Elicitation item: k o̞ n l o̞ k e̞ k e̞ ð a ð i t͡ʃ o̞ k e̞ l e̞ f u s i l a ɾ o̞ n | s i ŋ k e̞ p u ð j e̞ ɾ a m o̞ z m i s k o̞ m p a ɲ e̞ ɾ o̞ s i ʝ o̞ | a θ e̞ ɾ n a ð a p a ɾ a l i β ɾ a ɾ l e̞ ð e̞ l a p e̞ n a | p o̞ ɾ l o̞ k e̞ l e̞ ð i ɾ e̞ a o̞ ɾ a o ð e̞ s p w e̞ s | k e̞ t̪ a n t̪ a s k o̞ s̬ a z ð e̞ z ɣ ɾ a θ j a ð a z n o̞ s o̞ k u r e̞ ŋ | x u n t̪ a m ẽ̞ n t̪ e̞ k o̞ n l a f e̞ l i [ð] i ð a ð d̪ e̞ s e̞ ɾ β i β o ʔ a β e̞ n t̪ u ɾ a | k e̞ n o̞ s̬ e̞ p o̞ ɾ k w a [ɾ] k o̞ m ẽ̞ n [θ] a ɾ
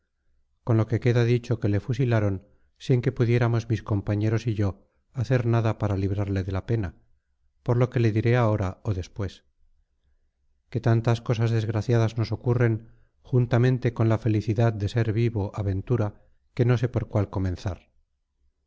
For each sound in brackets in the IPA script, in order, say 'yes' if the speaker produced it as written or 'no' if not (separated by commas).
no, no, yes